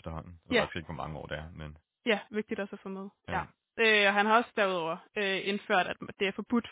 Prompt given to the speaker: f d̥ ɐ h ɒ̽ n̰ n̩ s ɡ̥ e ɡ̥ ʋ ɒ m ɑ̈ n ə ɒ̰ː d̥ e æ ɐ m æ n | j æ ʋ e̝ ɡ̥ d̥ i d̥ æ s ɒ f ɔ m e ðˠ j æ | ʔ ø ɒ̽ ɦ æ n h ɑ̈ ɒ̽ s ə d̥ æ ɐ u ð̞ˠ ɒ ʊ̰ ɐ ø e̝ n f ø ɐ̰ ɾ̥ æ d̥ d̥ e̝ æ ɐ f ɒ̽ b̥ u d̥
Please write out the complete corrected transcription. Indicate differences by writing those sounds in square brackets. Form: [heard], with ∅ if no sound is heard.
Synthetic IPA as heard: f d̥ ɐ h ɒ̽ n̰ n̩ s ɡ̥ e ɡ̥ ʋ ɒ m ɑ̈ [ŋ] ə ɒ̰ː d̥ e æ ɐ m [e] n | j æ ʋ e̝ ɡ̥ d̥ i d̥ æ s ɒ f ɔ m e ðˠ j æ | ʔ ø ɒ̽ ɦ æ n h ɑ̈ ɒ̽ s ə d̥ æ ɐ u ð̞ˠ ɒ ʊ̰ ɐ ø e̝ n f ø ɐ̰ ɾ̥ æ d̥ d̥ e̝ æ ɐ f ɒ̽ b̥ u d̥